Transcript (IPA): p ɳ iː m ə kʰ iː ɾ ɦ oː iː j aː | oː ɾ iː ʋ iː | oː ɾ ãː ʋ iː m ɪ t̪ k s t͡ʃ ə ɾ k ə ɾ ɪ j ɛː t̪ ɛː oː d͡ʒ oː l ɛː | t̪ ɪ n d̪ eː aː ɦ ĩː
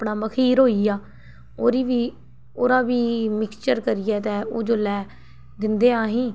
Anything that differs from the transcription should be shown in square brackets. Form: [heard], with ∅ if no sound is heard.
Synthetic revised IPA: p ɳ [aː] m ə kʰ iː ɾ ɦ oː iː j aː | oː ɾ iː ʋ iː | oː ɾ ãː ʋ iː m ɪ [∅] k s t͡ʃ ə ɾ k ə ɾ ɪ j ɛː t̪ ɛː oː d͡ʒ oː l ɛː | [d̪] ɪ n d̪ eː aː ɦ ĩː